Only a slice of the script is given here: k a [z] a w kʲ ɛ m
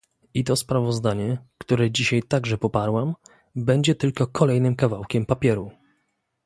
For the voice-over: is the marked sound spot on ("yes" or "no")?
no